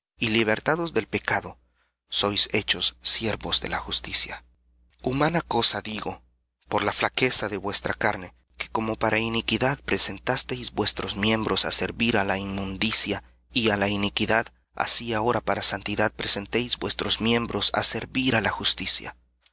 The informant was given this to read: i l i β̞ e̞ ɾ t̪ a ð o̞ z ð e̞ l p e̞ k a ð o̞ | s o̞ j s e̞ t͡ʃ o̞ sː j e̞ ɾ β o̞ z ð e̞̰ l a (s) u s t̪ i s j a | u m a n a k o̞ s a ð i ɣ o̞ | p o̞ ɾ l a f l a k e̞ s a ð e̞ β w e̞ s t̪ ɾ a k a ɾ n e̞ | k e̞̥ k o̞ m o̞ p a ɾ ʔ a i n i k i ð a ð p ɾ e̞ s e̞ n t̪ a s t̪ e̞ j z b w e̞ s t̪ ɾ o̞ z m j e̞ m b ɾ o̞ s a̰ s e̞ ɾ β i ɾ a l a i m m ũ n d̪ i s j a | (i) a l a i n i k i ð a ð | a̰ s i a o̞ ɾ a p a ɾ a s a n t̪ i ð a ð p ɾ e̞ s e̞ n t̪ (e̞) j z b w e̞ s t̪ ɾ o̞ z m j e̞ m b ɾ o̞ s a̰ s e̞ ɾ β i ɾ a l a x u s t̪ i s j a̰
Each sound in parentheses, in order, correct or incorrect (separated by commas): incorrect, correct, correct